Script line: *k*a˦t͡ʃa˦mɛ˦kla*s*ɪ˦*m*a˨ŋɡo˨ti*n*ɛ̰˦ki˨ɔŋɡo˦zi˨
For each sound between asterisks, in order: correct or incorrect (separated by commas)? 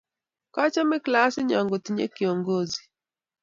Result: correct, correct, incorrect, incorrect